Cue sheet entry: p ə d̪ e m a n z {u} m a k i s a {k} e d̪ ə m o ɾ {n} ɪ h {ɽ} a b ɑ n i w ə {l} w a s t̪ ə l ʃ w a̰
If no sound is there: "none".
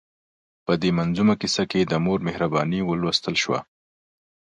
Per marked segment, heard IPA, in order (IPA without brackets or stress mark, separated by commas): u, k, m, ɾ, l